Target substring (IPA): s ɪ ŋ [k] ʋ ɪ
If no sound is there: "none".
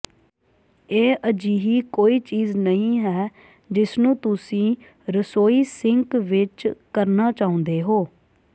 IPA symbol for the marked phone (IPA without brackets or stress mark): k